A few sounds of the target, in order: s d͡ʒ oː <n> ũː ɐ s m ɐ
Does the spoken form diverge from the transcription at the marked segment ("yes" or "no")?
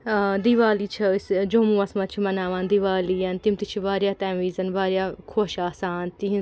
yes